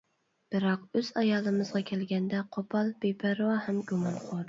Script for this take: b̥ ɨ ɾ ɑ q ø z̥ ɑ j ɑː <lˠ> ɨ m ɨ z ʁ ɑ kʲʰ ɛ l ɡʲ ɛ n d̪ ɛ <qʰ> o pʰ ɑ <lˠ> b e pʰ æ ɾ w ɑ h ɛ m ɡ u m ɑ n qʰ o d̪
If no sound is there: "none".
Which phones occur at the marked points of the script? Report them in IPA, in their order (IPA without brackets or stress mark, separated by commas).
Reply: lˠ, qʰ, lˠ